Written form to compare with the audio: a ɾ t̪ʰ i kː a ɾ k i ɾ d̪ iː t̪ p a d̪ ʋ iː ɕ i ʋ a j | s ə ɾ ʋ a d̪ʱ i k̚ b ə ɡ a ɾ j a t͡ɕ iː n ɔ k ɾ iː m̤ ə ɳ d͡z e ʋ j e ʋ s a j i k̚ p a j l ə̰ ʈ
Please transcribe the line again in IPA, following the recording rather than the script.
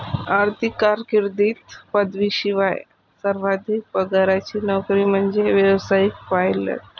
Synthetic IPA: a ɾ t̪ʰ i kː a ɾ k i ɾ d̪ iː t̪ p ə d̪ ʋ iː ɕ i ʋ a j | s ə ɾ ʋ a d̪ʱ i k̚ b ə ɡ a ɾ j a t͡ɕ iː n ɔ k ɾ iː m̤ ə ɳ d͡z e ʋ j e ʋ s a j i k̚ p a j l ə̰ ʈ